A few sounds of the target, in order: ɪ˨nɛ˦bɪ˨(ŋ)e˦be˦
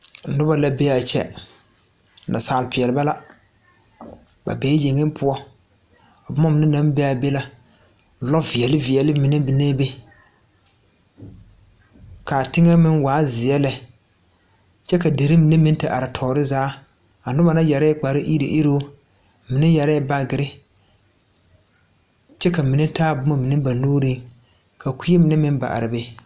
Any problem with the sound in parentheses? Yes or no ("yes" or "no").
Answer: yes